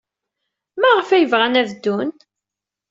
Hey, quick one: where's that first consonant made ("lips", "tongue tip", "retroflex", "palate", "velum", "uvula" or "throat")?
lips